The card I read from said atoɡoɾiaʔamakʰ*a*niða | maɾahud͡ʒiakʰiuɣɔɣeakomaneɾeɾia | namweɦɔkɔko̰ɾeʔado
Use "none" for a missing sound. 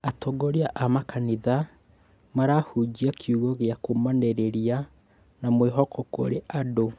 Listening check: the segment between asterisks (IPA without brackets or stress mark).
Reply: a